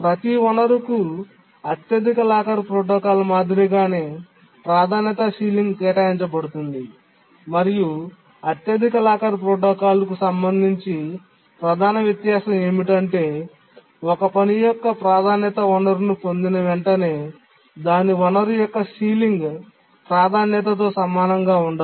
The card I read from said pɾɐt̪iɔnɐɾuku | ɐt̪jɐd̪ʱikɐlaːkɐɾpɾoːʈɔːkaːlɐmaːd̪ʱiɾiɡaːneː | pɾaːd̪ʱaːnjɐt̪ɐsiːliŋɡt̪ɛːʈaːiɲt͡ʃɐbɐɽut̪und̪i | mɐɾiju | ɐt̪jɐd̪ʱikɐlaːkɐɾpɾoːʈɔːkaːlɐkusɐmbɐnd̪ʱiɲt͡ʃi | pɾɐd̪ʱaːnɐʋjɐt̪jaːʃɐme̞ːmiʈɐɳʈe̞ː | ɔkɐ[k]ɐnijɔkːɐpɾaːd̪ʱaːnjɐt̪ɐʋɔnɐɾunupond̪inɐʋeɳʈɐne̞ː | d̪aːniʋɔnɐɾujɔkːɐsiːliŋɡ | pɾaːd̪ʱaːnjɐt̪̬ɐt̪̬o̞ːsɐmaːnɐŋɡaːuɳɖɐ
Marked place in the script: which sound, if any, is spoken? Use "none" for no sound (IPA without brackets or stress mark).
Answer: p